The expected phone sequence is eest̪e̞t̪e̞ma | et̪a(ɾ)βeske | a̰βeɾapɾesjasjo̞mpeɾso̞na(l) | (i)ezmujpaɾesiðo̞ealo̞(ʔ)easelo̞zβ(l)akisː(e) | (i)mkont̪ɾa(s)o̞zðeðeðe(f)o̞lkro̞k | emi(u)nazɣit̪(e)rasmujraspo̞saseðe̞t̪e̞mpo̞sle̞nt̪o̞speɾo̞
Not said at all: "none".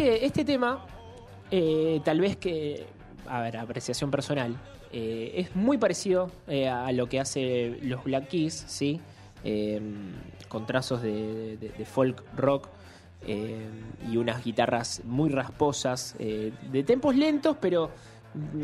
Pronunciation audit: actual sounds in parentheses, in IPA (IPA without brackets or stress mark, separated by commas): l, l, e, k, l, i, e, s, f, u, a